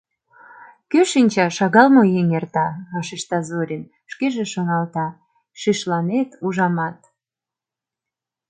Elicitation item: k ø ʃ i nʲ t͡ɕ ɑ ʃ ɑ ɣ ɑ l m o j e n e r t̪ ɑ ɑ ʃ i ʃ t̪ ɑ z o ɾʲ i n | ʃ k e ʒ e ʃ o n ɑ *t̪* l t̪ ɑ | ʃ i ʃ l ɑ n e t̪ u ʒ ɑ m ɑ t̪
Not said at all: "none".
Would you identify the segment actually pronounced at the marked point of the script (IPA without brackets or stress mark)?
none